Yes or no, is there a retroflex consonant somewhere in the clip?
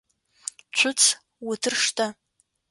yes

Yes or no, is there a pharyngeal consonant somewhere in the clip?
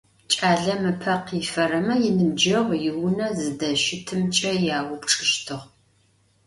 no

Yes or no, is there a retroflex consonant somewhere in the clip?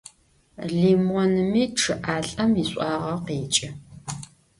yes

